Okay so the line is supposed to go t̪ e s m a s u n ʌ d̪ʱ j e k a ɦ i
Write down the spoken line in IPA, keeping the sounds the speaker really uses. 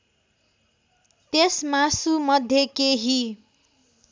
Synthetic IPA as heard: t̪ e s m a s u m ʌ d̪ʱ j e k e ɦ i